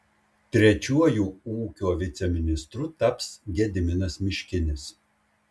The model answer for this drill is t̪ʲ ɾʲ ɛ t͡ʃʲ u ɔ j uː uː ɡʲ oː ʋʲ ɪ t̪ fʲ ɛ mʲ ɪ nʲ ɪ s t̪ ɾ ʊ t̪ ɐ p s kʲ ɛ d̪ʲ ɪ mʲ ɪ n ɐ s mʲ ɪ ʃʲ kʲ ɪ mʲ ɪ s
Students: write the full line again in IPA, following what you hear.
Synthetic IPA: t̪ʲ ɾʲ ɛ t͡ʃʲ u ɔ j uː uː kʲ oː ʋʲ ɪ t̪ sʲ ɛ mʲ ɪ nʲ ɪ s t̪ ɾ ʊ t̪ ɐ p s ɡʲ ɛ d̪ʲ ɪ mʲ ɪ n ɐ s mʲ ɪ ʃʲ kʲ ɪ nʲ ɪ s